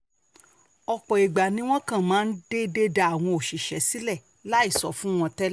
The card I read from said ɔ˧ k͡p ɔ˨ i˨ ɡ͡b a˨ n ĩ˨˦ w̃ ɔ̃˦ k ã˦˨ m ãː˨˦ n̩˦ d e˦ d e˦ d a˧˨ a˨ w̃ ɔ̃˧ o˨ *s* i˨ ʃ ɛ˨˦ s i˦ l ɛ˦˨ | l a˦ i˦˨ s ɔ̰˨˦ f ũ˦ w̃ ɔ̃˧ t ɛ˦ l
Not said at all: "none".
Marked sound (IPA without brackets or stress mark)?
ʃ